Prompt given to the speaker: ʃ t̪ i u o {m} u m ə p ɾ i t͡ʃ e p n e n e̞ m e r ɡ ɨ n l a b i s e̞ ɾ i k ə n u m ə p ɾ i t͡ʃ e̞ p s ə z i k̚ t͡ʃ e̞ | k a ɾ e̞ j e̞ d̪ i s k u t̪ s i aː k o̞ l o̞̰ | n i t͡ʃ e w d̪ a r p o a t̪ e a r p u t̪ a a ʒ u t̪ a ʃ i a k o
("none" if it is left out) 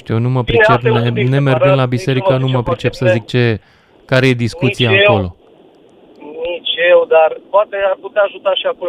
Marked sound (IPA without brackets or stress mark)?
n